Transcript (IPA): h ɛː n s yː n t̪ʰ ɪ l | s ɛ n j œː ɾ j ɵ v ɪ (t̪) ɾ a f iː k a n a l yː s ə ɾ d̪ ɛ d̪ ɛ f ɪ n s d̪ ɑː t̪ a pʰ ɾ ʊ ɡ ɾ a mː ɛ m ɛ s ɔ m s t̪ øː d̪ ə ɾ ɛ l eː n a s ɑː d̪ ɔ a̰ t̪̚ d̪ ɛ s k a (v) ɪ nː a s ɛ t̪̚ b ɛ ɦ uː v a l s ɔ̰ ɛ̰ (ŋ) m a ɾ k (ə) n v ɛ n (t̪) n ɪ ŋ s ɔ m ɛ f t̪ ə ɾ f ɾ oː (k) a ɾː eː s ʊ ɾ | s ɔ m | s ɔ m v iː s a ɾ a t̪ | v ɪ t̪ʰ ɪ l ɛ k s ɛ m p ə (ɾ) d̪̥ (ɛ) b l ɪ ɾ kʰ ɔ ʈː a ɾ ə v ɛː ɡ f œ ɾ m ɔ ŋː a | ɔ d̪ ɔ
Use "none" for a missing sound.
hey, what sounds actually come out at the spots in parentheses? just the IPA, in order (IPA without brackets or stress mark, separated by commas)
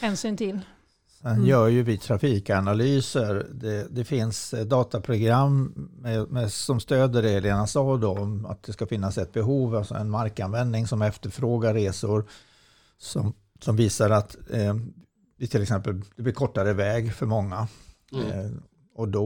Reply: t̪ʰ, f, n, a, d̪, ɡ, l, ɛ